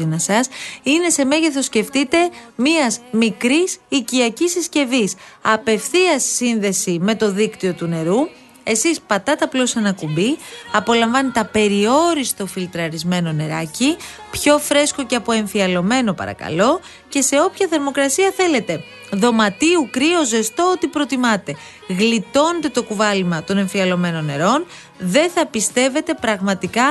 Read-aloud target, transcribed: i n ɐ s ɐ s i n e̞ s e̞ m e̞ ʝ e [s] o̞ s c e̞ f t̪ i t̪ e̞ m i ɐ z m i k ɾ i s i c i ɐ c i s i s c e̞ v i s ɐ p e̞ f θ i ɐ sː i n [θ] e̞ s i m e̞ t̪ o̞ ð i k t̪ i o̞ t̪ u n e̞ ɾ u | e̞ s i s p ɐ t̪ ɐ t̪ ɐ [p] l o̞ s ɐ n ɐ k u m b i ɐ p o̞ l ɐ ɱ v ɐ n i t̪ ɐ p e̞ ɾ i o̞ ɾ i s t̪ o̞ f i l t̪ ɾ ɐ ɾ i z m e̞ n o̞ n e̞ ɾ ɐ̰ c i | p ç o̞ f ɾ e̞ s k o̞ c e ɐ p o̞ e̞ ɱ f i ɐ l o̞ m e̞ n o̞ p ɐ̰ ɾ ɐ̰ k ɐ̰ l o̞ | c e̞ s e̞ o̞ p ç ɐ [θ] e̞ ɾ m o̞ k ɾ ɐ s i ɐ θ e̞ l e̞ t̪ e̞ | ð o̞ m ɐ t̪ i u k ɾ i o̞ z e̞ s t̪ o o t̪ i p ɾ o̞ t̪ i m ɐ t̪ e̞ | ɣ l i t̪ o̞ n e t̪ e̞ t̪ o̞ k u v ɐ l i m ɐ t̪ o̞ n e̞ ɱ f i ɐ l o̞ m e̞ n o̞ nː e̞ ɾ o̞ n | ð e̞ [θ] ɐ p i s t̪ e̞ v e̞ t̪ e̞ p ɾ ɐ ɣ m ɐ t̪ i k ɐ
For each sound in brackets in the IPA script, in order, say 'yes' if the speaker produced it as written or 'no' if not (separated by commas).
no, no, yes, yes, yes